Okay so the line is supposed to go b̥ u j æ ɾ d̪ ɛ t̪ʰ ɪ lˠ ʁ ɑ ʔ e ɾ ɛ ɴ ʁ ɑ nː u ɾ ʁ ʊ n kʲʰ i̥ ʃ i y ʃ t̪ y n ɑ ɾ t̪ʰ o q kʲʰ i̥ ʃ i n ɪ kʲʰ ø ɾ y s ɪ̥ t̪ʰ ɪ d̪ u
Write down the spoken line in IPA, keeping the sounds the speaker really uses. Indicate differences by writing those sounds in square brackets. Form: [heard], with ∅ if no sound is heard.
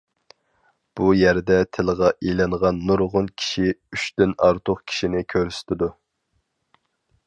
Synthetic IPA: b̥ u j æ ɾ d̪ ɛ t̪ʰ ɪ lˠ ʁ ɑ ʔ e [l] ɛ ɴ ʁ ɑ nː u ɾ ʁ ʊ n kʲʰ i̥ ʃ i y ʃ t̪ y n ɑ ɾ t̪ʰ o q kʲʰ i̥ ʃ i n ɪ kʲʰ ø ɾ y s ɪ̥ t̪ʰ ɪ d̪ u